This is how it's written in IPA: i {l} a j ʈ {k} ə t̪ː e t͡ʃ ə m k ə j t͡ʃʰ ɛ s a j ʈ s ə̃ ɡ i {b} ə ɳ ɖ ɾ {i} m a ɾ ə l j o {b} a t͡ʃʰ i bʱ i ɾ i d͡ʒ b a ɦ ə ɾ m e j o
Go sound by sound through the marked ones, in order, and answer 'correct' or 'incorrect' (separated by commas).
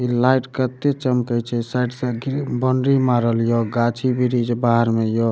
correct, correct, correct, correct, incorrect